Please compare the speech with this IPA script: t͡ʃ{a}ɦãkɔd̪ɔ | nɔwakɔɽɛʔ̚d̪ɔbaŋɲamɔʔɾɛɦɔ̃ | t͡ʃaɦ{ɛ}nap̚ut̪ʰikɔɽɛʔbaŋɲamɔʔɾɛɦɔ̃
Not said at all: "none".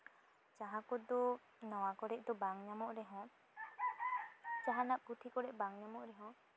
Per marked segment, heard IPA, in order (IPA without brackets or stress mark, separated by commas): a, a